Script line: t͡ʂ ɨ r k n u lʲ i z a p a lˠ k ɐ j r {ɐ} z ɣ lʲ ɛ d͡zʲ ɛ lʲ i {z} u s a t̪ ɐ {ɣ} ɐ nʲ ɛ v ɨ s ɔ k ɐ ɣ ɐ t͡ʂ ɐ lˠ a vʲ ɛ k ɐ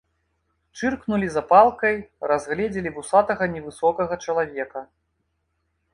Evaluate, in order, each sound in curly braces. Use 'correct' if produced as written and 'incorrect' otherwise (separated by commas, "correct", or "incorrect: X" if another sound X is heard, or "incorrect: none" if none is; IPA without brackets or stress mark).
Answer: incorrect: a, incorrect: v, correct